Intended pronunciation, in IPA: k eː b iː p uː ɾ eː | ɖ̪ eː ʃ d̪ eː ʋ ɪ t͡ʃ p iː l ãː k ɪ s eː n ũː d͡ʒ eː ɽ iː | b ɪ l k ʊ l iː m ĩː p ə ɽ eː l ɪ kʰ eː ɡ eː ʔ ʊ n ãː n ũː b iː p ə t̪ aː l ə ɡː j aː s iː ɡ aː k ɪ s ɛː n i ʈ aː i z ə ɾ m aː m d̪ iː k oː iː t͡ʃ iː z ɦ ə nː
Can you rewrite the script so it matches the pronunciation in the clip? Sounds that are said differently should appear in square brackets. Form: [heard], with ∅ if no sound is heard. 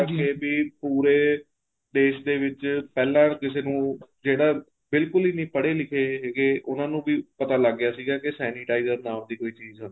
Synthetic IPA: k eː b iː p uː ɾ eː | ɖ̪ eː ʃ d̪ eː ʋ ɪ t͡ʃ p [ɛː] l ãː k ɪ s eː n ũː d͡ʒ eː ɽ [aː] | b ɪ l k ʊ l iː [n] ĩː p ə ɽ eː l ɪ kʰ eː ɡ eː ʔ ʊ n ãː n ũː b iː p ə t̪ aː l ə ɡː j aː s iː ɡ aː k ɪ s ɛː n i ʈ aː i z ə ɾ [n] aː m d̪ iː k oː iː t͡ʃ iː z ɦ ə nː